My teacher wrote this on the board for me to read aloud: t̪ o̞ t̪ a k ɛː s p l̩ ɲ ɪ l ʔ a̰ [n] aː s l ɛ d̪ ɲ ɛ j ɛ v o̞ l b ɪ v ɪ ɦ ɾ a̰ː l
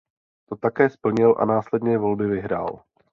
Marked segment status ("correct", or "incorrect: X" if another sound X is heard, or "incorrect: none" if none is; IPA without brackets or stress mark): correct